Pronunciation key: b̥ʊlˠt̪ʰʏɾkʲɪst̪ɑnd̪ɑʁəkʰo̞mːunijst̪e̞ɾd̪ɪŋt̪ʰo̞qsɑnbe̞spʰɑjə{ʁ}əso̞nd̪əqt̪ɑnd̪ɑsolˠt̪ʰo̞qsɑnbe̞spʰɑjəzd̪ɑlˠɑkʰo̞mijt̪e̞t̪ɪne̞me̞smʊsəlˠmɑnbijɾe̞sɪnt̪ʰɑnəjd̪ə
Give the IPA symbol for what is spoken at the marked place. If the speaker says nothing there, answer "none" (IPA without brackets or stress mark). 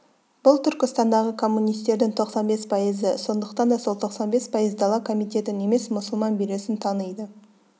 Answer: z